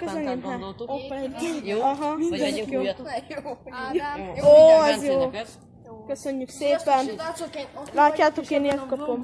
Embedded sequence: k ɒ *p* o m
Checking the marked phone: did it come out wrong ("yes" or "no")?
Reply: no